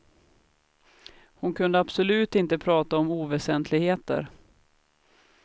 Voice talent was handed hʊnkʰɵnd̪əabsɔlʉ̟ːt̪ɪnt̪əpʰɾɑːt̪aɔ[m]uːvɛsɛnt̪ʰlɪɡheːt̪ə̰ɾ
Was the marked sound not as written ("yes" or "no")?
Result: no